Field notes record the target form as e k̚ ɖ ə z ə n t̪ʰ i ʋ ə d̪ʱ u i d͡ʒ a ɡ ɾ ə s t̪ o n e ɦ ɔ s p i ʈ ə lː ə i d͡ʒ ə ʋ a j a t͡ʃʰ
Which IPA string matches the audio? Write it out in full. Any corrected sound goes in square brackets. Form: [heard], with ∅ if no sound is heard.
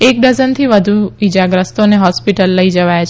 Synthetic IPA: e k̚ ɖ ə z ə n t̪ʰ i ʋ ə d̪ʱ u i d͡ʒ a ɡ ɾ ə s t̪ o n e ɦ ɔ s p i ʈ ə lː ə i d͡ʒ ə ʋ a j a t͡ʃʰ